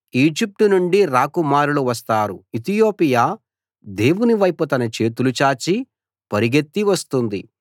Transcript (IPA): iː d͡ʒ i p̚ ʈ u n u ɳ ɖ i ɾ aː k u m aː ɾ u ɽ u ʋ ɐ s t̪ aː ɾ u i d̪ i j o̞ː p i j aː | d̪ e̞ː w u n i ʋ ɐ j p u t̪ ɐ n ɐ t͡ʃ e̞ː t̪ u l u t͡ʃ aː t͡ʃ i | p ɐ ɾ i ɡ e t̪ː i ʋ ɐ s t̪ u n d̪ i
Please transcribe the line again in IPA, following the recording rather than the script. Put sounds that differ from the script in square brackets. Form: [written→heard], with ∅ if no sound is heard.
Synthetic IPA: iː d͡ʒ i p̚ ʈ u n u ɳ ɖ i ɾ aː k u m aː ɾ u [ɽ→l] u ʋ ɐ s t̪ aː ɾ u i [d̪→t̪] i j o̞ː p i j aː | d̪ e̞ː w u n i ʋ ɐ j p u t̪ ɐ n ɐ t͡ʃ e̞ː t̪ u l u t͡ʃ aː t͡ʃ i | p ɐ ɾ i ɡ e t̪ː i ʋ ɐ s t̪ u n d̪ i

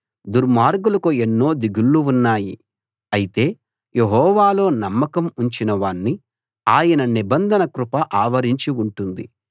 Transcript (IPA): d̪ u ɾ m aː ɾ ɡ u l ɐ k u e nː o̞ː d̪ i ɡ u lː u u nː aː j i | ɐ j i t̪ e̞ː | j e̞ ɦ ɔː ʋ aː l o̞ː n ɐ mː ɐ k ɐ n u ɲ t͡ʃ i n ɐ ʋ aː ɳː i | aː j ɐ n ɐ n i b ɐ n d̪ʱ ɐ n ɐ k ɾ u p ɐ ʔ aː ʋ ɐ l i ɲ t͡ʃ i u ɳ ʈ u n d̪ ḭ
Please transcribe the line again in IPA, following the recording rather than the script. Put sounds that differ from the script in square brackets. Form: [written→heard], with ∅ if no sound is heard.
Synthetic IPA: d̪ u ɾ m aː ɾ ɡ u l ɐ k u e nː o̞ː d̪ i ɡ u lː u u nː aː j i | ɐ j i t̪ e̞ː | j e̞ ɦ ɔː ʋ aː l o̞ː n ɐ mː ɐ k ɐ [n→m] u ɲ t͡ʃ i n ɐ ʋ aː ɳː i | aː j ɐ n ɐ n i b ɐ n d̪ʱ ɐ n ɐ k ɾ u p ɐ ʔ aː ʋ ɐ [l→ɾ] i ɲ t͡ʃ i u ɳ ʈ u n d̪ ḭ

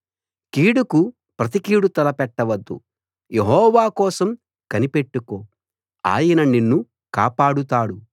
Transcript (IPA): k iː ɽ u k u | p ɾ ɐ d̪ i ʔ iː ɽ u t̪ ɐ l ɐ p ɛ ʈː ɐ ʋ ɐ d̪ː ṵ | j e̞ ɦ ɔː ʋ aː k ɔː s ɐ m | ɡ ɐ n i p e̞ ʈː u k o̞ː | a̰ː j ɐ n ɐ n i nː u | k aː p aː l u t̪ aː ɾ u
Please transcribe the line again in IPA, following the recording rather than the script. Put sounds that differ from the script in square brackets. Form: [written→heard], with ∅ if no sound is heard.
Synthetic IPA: k iː ɽ u k u | p ɾ ɐ [d̪→t̪] i [ʔ→k] iː ɽ u t̪ ɐ l ɐ p ɛ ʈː ɐ ʋ ɐ d̪ː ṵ | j e̞ ɦ ɔː ʋ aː k ɔː s ɐ m | [ɡ→k] ɐ n i p e̞ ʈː u k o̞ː | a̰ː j ɐ n ɐ n i nː u | k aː p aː [l→ɽ] u t̪ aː [ɾ→ɽ] u

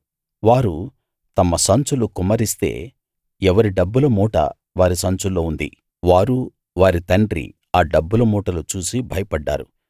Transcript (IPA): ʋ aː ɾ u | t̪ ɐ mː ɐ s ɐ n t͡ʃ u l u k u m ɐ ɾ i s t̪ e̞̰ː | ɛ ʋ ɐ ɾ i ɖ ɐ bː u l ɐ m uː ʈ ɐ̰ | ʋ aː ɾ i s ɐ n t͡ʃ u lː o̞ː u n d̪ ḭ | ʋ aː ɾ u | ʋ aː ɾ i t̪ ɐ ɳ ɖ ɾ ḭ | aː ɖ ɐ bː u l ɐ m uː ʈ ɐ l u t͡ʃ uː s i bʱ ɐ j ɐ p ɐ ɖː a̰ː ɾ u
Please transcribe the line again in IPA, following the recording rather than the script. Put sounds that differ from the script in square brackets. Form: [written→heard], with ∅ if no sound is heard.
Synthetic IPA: ʋ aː ɾ u | t̪ ɐ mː ɐ s ɐ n t͡ʃ u l u k u m ɐ ɾ i s t̪ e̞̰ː | ɛ ʋ ɐ ɾ i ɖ ɐ bː u l ɐ m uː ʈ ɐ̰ | ʋ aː ɾ i s ɐ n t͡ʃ u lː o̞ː u n d̪ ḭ | ʋ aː ɾ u | ʋ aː ɾ i t̪ ɐ ɳ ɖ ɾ ḭ | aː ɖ ɐ bː u l ɐ m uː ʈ ɐ l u t͡ʃ uː s i bʱ ɐ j ɐ p ɐ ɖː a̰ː ɾ u

